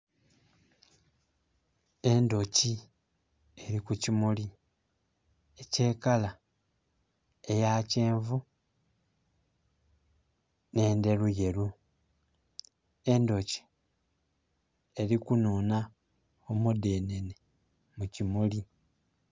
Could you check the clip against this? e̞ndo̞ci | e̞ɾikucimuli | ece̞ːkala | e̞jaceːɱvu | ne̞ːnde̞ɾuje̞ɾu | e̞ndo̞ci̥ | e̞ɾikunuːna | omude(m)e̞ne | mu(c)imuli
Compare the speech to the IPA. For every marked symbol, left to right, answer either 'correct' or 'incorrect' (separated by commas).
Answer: incorrect, correct